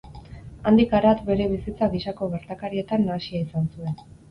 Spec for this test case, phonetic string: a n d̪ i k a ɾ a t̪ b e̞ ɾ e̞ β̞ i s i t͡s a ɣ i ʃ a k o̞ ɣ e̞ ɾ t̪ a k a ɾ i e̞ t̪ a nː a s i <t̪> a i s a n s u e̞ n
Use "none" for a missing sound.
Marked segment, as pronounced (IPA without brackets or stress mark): none